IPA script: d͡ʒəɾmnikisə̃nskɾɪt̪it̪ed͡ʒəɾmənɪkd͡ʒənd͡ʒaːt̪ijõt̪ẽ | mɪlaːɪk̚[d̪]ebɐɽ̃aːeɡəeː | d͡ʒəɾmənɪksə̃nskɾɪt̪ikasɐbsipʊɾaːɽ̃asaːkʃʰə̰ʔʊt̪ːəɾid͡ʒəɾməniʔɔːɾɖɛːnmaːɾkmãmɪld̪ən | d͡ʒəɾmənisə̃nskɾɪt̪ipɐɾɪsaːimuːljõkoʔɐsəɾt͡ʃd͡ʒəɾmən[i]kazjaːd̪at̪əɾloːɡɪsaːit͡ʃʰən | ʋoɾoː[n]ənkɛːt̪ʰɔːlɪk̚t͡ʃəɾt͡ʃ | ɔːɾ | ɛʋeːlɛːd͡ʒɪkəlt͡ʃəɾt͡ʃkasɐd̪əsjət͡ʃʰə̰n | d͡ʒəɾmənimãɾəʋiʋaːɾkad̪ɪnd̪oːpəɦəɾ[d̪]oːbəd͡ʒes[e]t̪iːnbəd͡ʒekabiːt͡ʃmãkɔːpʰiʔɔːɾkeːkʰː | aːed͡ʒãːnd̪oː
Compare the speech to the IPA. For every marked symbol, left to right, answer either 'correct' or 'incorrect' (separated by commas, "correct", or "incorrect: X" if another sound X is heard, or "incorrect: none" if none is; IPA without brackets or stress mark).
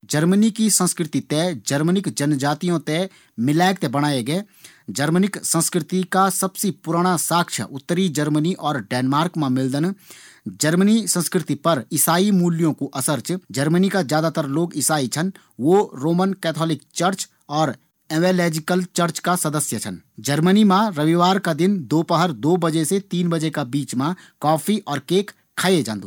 incorrect: t̪, correct, incorrect: m, correct, correct